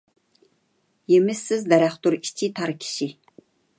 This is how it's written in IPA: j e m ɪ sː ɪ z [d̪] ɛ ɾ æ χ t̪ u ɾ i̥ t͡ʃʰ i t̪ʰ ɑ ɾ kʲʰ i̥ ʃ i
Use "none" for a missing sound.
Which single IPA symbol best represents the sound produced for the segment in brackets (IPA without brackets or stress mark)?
d̪